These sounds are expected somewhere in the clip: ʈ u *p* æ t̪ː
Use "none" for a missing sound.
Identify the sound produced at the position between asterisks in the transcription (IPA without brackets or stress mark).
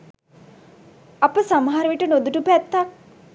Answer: p